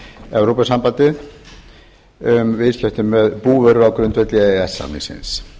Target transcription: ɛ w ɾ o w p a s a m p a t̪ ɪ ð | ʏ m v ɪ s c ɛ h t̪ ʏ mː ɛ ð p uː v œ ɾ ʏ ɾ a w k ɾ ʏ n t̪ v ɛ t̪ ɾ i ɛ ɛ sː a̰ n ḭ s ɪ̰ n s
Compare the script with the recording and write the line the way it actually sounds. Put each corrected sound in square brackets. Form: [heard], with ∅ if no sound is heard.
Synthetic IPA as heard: ɛ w ɾ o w p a s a m p a t̪ ɪ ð | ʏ m v ɪ s c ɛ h t̪ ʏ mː ɛ ð p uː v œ ɾ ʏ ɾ a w k ɾ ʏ n t̪ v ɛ t̪ [l] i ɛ ɛ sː a̰ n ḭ s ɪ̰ n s